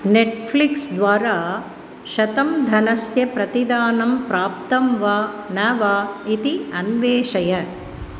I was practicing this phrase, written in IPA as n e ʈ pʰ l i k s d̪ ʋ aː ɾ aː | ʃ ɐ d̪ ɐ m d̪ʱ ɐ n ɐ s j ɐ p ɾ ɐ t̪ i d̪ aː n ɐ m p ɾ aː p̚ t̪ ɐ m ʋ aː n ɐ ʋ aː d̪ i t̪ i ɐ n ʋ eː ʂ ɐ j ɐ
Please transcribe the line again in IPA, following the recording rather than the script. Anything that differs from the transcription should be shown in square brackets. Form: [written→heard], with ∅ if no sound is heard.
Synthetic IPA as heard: n e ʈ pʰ l i k s d̪ ʋ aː ɾ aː | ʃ ɐ [d̪→t̪] ɐ m d̪ʱ ɐ n ɐ s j ɐ p ɾ ɐ t̪ i d̪ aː n ɐ m p ɾ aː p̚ t̪ ɐ m ʋ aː n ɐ ʋ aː [d̪→∅] i t̪ i ɐ n ʋ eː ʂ ɐ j ɐ